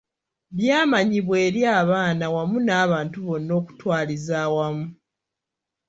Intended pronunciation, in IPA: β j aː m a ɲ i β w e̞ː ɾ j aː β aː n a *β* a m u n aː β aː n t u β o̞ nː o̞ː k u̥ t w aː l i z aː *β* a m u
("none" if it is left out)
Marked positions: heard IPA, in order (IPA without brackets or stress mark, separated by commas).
w, w